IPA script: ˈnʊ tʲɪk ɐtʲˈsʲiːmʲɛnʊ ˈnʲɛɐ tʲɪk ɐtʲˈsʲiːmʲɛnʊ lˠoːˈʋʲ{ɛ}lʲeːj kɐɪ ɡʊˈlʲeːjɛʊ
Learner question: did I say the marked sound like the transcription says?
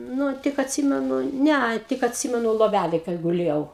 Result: no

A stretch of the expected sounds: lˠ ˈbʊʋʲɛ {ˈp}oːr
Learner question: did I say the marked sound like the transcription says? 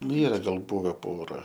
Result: yes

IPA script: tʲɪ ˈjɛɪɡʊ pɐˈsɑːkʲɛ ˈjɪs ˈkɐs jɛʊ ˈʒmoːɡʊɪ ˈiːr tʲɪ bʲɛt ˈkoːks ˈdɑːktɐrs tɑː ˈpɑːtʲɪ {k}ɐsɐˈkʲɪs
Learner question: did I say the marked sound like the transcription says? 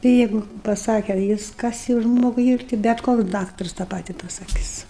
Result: no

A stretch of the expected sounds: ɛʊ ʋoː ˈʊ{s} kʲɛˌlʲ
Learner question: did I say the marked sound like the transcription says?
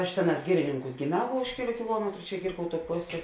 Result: no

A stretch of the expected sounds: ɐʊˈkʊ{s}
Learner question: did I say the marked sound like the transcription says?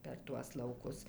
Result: yes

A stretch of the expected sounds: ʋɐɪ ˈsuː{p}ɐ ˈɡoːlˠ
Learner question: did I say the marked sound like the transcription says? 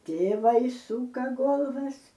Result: no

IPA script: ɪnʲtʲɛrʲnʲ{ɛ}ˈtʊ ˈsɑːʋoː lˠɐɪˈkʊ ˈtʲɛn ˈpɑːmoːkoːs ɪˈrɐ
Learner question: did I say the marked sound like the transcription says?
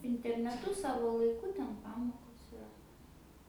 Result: yes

